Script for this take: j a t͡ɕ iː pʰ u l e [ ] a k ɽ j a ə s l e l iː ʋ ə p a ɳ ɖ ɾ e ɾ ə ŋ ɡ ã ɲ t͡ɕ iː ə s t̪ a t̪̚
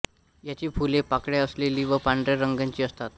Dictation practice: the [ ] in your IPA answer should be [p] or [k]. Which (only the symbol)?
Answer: p